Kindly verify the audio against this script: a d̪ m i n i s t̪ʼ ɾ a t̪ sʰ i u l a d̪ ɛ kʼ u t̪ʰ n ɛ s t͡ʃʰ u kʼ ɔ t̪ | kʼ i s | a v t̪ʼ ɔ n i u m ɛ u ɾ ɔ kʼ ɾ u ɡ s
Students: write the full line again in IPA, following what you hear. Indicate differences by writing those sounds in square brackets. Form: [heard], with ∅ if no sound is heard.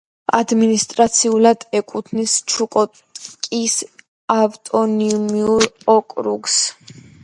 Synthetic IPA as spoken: a d̪ m i n i s t̪ʼ ɾ a t̪ sʰ i u l a d̪ ɛ kʼ u t̪ʰ n [i] s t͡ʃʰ u kʼ ɔ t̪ | kʼ i s | a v t̪ʼ ɔ n i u m [i] u ɾ ɔ kʼ ɾ u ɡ s